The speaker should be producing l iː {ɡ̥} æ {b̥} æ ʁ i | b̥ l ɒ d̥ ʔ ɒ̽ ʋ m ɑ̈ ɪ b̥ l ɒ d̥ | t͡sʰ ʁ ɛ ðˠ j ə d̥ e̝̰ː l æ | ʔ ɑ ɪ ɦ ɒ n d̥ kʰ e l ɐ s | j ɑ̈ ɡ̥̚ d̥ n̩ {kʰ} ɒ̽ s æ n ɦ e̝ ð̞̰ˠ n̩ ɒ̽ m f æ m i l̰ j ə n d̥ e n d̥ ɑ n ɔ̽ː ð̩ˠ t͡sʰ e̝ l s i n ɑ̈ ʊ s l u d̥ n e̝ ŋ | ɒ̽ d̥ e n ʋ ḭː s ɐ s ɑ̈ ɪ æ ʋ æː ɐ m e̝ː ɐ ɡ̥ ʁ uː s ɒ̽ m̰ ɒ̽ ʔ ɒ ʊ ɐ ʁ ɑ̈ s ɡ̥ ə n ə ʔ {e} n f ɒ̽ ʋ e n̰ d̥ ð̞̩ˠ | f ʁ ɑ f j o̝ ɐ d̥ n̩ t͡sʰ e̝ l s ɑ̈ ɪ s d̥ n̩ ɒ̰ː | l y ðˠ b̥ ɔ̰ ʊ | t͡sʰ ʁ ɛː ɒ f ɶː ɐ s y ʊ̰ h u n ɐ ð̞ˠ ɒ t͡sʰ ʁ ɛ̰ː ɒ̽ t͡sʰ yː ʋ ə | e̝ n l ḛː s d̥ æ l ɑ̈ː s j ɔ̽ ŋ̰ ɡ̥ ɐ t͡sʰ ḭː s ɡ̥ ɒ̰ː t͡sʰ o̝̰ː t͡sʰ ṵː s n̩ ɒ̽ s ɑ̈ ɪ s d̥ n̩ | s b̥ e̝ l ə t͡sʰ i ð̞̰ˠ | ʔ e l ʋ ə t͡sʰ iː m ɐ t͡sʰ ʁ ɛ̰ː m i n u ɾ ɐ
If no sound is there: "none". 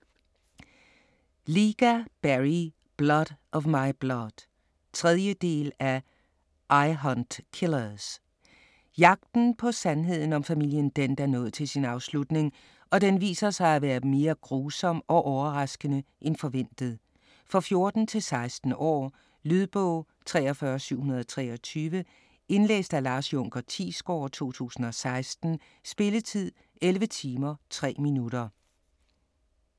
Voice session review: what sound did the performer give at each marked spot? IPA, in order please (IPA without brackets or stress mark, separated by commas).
ɡ̥, b̥, pʰ, e